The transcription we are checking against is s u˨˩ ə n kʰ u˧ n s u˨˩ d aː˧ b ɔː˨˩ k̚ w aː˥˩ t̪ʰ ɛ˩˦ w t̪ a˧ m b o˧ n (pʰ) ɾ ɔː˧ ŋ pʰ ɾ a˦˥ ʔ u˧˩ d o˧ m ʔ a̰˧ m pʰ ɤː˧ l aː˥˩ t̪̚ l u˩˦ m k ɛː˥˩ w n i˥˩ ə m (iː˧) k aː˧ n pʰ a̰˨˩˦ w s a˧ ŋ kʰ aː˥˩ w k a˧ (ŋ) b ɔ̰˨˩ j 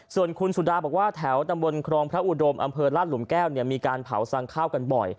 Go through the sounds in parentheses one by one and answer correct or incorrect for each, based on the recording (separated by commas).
incorrect, correct, incorrect